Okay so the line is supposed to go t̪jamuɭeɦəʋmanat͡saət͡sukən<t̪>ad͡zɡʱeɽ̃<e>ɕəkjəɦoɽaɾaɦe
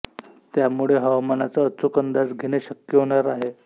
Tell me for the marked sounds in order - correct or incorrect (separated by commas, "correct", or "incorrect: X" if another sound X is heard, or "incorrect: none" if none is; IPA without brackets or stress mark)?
incorrect: d̪, correct